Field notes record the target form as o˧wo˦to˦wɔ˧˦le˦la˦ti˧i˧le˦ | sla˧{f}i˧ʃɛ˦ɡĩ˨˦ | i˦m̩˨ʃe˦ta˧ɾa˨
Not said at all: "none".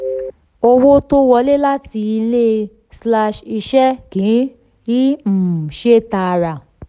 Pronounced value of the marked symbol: ʃ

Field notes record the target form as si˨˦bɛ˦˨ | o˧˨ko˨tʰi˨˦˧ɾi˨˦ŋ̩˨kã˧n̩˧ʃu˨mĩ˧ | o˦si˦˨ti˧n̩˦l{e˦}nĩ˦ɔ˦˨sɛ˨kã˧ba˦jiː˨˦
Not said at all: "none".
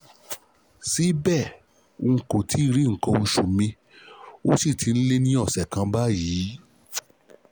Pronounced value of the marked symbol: e˦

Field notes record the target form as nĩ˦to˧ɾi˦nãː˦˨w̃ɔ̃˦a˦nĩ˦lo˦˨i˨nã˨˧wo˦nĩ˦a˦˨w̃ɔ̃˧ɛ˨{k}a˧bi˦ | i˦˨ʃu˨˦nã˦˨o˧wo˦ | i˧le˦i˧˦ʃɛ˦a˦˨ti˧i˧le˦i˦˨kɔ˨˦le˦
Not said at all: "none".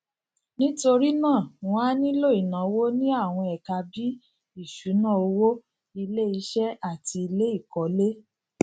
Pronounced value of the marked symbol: k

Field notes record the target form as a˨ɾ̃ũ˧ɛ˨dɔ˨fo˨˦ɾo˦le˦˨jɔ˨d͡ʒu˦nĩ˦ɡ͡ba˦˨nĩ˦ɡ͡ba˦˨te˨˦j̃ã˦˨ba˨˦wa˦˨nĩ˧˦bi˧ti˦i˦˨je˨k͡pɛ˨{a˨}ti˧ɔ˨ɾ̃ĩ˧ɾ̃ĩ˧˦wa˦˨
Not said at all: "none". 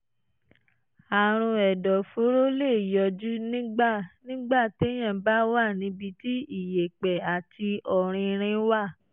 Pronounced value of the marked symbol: a˨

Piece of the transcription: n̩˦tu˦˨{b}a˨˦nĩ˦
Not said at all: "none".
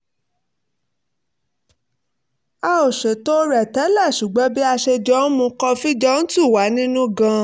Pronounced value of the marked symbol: w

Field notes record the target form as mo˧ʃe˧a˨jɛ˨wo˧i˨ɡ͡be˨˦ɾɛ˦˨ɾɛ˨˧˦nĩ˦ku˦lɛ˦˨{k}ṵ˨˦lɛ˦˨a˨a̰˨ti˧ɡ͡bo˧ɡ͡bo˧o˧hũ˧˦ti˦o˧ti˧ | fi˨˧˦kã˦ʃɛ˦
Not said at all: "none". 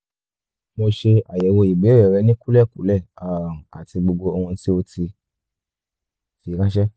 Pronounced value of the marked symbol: k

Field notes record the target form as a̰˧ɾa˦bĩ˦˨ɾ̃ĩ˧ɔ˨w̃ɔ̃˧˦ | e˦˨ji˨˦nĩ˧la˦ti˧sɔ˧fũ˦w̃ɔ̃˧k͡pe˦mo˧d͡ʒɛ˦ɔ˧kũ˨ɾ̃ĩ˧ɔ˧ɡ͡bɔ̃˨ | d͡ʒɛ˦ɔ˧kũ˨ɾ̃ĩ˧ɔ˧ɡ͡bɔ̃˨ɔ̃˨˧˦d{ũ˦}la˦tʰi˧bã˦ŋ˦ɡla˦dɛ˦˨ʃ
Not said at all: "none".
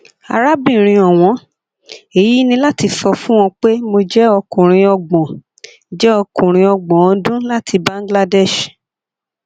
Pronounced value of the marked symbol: ũ˦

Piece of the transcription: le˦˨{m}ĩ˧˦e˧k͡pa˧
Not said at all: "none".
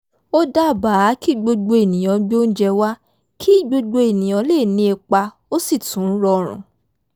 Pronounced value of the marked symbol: n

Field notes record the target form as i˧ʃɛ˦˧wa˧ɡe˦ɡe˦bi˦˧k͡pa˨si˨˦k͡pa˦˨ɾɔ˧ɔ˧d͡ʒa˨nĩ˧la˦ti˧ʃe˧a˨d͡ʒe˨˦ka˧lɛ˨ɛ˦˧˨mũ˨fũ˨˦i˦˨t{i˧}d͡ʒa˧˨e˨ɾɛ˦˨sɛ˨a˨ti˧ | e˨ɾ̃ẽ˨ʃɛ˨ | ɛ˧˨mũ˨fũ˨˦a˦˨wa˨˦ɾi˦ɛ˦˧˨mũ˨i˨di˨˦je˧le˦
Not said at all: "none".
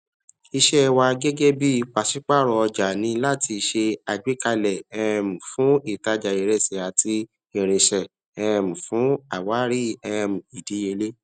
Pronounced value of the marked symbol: a˧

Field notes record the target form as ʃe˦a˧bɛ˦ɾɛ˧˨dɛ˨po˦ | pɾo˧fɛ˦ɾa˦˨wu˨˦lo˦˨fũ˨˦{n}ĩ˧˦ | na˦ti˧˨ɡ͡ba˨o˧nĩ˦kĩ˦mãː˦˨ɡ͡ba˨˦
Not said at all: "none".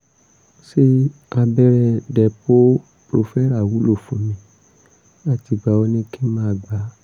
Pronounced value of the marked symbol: m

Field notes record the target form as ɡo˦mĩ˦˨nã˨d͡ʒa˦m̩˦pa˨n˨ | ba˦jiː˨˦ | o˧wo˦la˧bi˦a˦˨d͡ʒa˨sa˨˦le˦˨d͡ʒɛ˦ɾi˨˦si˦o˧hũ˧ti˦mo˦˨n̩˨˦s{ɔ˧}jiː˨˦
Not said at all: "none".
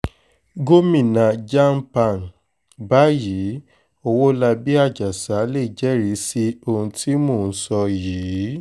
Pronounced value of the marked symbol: ɔ˧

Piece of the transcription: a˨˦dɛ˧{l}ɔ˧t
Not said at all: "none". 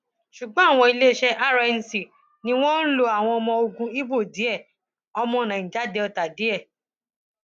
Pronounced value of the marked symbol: none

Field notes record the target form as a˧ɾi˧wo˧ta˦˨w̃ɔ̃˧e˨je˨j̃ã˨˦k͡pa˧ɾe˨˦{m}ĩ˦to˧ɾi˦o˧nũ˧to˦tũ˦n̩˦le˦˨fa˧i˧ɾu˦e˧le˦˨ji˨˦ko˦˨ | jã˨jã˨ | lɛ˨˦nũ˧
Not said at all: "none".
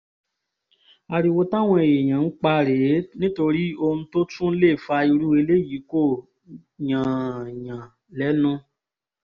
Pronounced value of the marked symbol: n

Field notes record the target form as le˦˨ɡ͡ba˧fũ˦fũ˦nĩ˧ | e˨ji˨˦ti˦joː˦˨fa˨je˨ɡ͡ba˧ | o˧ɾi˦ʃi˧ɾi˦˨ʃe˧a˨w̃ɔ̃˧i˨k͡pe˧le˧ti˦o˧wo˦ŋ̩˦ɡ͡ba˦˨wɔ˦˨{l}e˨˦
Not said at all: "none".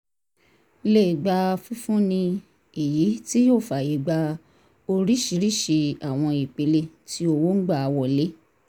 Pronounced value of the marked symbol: l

